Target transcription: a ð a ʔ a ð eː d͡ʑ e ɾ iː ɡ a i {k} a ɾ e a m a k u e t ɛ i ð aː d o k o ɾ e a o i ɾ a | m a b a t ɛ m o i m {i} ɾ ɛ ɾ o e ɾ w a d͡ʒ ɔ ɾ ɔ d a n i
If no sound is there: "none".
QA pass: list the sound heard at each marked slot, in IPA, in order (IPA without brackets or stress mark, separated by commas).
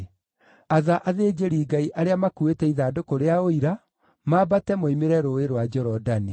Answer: ʔ, e